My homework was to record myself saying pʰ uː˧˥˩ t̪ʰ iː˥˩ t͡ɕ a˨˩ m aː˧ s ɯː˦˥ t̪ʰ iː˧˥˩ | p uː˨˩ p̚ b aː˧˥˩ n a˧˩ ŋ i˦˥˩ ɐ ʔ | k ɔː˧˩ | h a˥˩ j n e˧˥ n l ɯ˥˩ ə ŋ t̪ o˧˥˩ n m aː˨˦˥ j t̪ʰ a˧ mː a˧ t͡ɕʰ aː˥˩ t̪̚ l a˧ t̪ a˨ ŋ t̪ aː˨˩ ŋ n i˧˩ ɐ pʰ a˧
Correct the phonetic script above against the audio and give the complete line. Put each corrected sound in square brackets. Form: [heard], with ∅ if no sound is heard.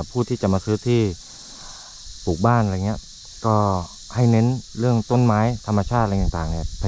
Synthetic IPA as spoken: pʰ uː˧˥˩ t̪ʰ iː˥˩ t͡ɕ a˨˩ m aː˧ s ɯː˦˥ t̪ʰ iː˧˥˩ | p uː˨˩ [k̚] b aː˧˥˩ n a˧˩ ŋ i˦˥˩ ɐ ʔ | k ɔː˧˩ | h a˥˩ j n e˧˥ n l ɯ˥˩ ə ŋ t̪ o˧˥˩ n m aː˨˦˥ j t̪ʰ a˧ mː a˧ t͡ɕʰ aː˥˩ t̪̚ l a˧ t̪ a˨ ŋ t̪ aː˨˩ ŋ n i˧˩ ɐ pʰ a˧